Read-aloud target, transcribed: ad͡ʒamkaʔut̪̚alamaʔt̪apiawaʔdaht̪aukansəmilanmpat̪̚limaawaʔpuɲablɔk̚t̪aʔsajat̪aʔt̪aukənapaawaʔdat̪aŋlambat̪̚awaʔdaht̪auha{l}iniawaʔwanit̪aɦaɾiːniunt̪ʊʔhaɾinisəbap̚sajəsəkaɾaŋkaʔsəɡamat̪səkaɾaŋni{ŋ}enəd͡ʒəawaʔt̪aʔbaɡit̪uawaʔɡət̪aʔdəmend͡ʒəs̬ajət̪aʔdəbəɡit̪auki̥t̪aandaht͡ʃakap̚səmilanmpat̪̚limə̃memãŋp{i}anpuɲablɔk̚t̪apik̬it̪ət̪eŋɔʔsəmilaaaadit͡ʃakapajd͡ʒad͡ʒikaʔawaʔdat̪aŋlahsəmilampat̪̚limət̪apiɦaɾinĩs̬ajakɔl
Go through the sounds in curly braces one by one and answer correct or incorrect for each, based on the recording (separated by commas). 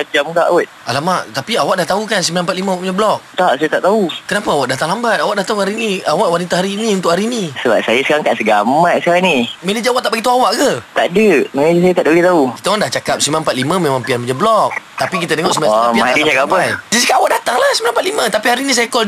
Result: incorrect, incorrect, correct